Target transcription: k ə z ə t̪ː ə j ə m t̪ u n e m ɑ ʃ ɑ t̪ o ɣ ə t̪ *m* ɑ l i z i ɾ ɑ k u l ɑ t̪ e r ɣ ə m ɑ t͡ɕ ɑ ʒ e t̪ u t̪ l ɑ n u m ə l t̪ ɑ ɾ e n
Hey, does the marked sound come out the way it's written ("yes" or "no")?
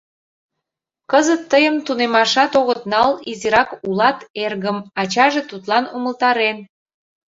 no